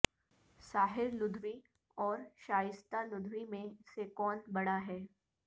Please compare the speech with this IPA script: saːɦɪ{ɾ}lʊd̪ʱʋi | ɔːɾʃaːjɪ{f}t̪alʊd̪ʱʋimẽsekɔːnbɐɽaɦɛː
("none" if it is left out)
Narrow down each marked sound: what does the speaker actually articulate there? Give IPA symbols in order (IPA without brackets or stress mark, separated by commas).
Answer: ɾ, s